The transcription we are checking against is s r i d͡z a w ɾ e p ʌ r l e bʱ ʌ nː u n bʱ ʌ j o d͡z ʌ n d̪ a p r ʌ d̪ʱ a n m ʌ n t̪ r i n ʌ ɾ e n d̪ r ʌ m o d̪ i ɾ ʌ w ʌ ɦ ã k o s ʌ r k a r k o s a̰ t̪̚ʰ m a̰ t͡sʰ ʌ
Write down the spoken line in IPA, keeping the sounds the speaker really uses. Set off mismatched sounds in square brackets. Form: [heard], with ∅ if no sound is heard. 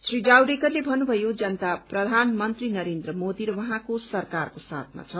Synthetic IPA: s r i d͡z a w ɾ e [k] ʌ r l e bʱ ʌ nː u [∅] bʱ ʌ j o d͡z ʌ n [t̪] a p r ʌ d̪ʱ a n m ʌ n t̪ r i n ʌ ɾ e n d̪ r ʌ m o d̪ i ɾ ʌ w ʌ ɦ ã k o s ʌ r k a r k o s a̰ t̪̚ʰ m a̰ t͡sʰ ʌ

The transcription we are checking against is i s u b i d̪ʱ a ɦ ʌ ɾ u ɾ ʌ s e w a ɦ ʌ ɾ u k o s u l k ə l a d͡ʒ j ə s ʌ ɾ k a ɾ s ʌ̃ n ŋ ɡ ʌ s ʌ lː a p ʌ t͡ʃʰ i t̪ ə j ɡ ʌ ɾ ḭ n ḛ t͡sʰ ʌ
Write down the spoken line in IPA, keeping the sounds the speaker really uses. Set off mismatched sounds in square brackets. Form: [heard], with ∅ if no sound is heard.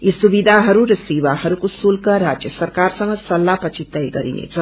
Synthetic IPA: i s u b i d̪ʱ a ɦ ʌ ɾ u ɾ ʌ s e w a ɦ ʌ ɾ u k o s u l k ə [ɾ] a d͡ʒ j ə s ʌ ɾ k a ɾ s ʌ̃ [∅] ŋ ɡ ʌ s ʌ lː a p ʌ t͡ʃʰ i t̪ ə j ɡ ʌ ɾ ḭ n ḛ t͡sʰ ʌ

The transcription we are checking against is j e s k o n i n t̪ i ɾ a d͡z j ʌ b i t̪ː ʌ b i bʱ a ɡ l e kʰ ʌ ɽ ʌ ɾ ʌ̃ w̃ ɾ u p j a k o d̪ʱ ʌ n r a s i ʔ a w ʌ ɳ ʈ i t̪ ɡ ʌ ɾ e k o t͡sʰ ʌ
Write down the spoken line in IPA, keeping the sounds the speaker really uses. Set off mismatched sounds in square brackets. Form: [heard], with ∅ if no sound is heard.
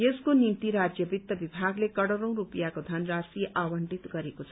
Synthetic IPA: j e s k o n i n t̪ i ɾ a d͡z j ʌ b i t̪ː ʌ b i bʱ a ɡ l e [k] ʌ ɽ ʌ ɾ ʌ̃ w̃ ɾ u p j a k o d̪ʱ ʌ n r a s i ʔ a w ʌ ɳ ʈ i t̪ ɡ ʌ ɾ e k o t͡sʰ ʌ

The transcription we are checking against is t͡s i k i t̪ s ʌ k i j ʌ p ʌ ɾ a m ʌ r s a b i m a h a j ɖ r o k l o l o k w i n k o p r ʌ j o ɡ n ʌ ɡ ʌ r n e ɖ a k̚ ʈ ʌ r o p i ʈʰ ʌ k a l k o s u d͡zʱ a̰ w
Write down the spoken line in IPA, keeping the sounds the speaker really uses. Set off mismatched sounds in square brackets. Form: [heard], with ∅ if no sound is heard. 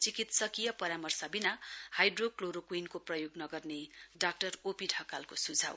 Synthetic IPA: t͡s i k i t̪ s ʌ k i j ʌ p ʌ ɾ a m ʌ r s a b i [n] a h a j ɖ r o k l o [ɾ] o k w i n k o p r ʌ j o ɡ n ʌ ɡ ʌ r n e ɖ a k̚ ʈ ʌ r o p i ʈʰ ʌ k a l k o s u d͡zʱ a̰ w

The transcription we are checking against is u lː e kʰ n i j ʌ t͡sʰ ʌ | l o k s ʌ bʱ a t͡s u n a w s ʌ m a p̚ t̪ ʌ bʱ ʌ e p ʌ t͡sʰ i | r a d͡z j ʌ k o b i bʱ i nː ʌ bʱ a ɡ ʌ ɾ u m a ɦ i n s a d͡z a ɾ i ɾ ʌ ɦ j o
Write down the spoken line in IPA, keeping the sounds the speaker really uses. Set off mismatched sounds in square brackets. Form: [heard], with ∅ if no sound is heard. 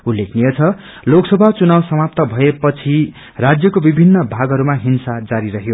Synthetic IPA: u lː e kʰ n i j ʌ t͡sʰ ʌ | l o k s ʌ bʱ a t͡s u n a w s ʌ m a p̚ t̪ ʌ bʱ ʌ e p ʌ t͡sʰ i | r a d͡z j ʌ k o b i bʱ i nː ʌ bʱ a ɡ ʌ ɾ u m a ɦ i n s a d͡z a ɾ i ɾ ʌ ɦ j o

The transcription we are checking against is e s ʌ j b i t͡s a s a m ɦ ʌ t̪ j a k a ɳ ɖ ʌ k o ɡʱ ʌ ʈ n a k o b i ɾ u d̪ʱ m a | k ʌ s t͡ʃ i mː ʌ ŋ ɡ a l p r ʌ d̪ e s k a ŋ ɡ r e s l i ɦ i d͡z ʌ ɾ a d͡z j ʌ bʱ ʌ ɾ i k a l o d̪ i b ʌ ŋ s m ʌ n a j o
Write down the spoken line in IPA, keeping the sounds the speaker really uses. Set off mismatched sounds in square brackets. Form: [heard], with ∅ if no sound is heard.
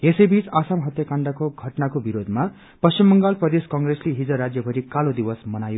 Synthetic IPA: e s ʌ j b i t͡s a s a m ɦ ʌ t̪ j a k a ɳ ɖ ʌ k o ɡʱ ʌ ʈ n a k o b i ɾ [o] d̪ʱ m a | [p] ʌ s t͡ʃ i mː ʌ ŋ ɡ a l p r ʌ d̪ e s k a ŋ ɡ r e s l i ɦ i d͡z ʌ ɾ a d͡z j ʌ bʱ ʌ ɾ i k a l o d̪ i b ʌ [∅] s m ʌ n a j o

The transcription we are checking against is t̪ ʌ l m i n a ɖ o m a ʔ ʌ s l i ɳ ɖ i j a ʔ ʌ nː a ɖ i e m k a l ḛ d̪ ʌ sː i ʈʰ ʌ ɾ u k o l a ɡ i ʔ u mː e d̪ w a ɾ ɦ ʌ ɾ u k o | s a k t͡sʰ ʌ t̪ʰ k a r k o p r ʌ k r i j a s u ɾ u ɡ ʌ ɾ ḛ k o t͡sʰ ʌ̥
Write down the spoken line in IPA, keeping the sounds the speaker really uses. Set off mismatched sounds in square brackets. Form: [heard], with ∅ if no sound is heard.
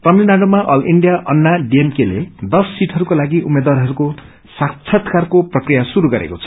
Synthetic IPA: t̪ ʌ [∅] m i n a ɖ o m a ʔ ʌ [∅] l i ɳ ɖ i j a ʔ ʌ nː a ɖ i e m k [e] l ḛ d̪ ʌ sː i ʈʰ ʌ ɾ u k o l a ɡ i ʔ u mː e d̪ w a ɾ ɦ ʌ ɾ u k o | s a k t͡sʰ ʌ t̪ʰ k a r k o p r ʌ k r i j a s u ɾ u ɡ ʌ ɾ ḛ k o t͡sʰ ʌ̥

